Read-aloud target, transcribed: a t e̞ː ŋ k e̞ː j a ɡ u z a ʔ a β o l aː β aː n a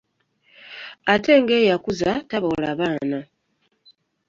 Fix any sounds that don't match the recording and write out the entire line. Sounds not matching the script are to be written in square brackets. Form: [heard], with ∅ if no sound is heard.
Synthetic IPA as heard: a t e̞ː ŋ [ɡ] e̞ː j a [k] u z a [t] a β o l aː β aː n a